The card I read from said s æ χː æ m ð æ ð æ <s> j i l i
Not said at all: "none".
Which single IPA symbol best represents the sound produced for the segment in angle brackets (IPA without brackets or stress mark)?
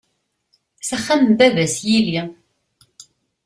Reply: s